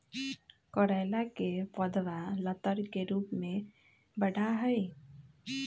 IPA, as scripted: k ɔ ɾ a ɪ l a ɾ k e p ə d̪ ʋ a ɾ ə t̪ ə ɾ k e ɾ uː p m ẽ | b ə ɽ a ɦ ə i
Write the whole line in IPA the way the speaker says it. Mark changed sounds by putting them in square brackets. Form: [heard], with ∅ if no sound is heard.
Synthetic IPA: k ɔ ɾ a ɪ l a [∅] k e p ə d̪ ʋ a [l] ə t̪ ə ɾ k e ɾ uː p m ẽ | b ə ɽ a ɦ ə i